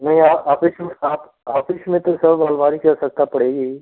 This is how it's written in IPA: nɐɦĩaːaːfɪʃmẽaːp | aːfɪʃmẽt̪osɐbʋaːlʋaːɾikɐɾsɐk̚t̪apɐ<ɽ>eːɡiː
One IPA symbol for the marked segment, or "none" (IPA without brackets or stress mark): ɽ